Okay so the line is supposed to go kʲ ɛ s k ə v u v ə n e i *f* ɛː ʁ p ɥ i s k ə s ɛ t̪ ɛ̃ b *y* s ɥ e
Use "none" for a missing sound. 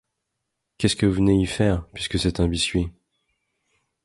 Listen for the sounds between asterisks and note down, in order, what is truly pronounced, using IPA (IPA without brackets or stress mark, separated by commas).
f, i